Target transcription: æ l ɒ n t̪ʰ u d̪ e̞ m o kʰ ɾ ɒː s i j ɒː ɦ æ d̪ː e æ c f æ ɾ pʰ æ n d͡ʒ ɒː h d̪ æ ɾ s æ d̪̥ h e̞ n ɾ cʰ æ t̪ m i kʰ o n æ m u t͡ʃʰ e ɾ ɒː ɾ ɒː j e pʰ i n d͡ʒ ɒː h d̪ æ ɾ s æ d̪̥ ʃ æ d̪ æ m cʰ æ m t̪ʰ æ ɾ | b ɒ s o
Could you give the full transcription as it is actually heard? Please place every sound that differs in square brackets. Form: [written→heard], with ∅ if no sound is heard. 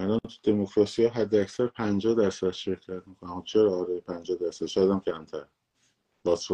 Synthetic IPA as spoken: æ l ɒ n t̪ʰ u d̪ e̞ m o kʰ ɾ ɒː s i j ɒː ɦ æ d̪ː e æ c [f→s] æ ɾ pʰ æ n d͡ʒ ɒː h d̪ æ ɾ s æ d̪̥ [h→ʃ] e̞ [n→∅] ɾ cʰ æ t̪ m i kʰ o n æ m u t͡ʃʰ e ɾ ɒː ɾ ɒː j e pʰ [i→æ] n d͡ʒ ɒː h d̪ æ ɾ s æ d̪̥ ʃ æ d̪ æ m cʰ æ m t̪ʰ æ ɾ | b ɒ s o